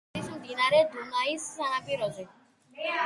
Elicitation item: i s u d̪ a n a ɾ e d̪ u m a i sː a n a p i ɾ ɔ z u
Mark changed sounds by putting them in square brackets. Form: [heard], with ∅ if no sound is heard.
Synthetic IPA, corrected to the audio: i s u d̪ [i] n a ɾ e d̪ u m a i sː a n a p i ɾ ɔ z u